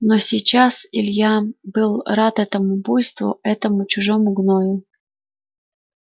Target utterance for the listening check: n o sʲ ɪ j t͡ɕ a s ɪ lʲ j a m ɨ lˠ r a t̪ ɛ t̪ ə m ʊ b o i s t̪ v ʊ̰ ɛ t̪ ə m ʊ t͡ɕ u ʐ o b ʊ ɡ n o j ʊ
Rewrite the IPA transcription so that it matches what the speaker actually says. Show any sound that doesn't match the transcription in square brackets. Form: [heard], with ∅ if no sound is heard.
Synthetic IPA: n o sʲ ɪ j t͡ɕ a s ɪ lʲ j a [b] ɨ lˠ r a t̪ ɛ t̪ ə m ʊ b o [j] s t̪ v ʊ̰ ɛ t̪ ə m ʊ t͡ɕ [ʊ] ʐ o [m] ʊ ɡ n o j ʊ